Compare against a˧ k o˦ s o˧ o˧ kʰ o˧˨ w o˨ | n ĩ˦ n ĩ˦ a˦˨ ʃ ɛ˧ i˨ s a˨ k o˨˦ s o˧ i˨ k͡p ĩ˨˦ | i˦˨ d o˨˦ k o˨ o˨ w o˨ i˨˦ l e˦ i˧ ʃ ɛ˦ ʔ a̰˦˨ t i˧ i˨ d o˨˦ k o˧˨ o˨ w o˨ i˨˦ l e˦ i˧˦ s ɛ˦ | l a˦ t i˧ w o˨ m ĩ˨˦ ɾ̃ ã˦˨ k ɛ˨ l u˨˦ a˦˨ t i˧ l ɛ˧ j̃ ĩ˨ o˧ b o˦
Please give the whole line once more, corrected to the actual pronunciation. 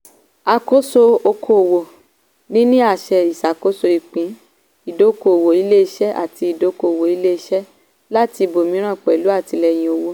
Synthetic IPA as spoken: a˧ k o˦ s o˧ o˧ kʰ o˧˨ w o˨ | n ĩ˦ n ĩ˦ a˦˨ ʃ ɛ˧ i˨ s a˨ k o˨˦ s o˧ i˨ k͡p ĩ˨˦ | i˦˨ d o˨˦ k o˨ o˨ w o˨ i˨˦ l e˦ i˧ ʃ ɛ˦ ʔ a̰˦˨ t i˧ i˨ d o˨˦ k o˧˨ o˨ w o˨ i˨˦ l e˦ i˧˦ ʃ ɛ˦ | l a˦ t i˧ b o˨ m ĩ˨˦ ɾ̃ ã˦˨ k͡p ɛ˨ l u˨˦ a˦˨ t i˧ l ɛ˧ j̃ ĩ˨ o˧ w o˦

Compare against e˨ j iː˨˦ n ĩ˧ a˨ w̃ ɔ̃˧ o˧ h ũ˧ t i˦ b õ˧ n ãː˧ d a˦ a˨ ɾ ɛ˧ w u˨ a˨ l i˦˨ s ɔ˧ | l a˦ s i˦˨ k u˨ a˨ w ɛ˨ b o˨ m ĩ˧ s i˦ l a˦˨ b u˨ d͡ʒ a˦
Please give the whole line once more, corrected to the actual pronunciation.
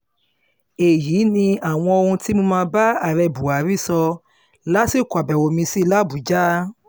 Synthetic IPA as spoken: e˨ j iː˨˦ n ĩ˧ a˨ w̃ ɔ̃˧ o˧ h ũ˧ t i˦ m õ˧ m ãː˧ b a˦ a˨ ɾ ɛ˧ b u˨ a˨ ɾ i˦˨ s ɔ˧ | l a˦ s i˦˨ k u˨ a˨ b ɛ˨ w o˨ m ĩ˧ s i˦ l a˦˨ b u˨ d͡ʒ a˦

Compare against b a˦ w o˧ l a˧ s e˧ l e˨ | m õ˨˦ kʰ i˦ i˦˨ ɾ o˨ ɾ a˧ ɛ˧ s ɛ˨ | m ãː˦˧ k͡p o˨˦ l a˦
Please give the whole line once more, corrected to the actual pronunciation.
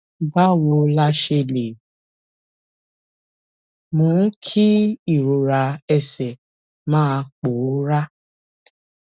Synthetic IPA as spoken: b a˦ w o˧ l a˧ ʃ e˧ l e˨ | m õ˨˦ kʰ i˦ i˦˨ ɾ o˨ ɾ a˧ ɛ˧ s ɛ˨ | m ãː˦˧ k͡p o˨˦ ɾ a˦

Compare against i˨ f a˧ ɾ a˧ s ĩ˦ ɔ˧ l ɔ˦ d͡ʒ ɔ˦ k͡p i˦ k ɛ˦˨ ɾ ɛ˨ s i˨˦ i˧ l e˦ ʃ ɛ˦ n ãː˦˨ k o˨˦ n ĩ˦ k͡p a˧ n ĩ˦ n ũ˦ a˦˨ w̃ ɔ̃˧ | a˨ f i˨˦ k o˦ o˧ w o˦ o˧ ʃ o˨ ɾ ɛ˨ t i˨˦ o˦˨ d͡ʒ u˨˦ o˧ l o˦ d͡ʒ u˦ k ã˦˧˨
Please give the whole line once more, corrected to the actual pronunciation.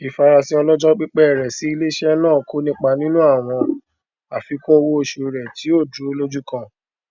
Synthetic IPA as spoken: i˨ f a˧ ɾ a˧ s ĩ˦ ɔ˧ l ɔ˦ d͡ʒ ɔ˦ k͡p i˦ k͡p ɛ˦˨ ɾ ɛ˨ s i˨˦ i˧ l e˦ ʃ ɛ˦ n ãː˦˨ k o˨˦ n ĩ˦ k͡p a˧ n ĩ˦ n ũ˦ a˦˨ w̃ ɔ̃˧ | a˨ f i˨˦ k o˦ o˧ w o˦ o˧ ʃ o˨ ɾ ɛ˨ t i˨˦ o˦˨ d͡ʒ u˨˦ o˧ l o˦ d͡ʒ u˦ k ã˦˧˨

